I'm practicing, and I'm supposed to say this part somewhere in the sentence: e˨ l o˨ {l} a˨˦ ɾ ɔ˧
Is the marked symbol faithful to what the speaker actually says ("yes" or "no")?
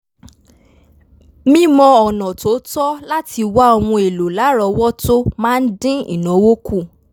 yes